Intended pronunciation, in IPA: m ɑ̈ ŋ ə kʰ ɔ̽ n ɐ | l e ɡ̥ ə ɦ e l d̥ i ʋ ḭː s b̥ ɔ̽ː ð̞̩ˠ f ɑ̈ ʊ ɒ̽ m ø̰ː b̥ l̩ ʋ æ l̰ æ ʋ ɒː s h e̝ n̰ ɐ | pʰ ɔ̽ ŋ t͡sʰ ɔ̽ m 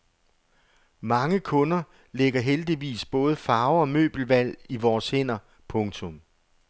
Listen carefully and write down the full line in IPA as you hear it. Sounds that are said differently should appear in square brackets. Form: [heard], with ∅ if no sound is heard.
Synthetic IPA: m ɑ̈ ŋ ə kʰ ɔ̽ n ɐ | l e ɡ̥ [ɐ] ɦ e l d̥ i ʋ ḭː s b̥ ɔ̽ː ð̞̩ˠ f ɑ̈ ʊ ɒ̽ m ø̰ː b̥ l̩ ʋ æ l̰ [i] ʋ ɒː s h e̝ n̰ ɐ | pʰ ɔ̽ ŋ t͡sʰ ɔ̽ m